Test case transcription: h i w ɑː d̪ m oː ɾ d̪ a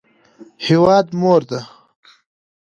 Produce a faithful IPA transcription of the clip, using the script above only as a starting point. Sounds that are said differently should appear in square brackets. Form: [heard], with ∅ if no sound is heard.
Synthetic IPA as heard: h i w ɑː d̪ m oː ɾ d̪ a